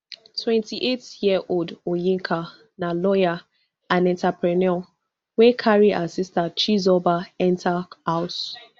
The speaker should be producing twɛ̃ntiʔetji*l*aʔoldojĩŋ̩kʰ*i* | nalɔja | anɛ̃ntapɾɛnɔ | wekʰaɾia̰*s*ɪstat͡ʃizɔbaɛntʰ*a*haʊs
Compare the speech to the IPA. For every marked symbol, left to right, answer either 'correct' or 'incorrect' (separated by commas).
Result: incorrect, incorrect, correct, correct